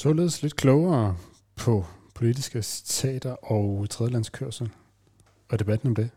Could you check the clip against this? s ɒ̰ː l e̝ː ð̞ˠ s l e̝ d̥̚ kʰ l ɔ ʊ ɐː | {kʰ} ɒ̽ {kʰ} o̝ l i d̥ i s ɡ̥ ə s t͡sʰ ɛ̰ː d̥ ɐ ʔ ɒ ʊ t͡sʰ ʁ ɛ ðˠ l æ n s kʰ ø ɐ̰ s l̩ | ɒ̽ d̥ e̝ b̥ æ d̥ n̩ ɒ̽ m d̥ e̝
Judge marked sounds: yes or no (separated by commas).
no, no